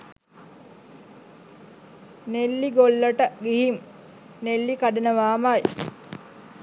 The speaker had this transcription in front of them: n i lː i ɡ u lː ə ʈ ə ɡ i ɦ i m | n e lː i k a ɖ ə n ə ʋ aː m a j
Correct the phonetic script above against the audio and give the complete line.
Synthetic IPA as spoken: n e lː i ɡ o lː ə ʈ ə ɡ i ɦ i m | n e lː i k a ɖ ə n ə ʋ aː m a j